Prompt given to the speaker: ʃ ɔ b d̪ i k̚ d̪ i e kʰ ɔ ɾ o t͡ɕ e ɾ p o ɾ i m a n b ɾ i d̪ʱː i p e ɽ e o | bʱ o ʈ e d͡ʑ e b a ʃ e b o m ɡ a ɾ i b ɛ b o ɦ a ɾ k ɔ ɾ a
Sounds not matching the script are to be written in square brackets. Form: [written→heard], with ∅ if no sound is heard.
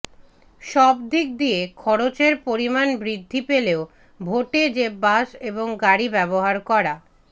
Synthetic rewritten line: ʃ ɔ b d̪ i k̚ d̪ i e kʰ ɔ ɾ o t͡ɕ e ɾ p o ɾ i m a n b ɾ i d̪ʱː i p e [ɽ→l] e o | bʱ o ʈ e d͡ʑ e b a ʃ e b o [m→ŋ] ɡ a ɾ i b ɛ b o ɦ a ɾ k ɔ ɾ a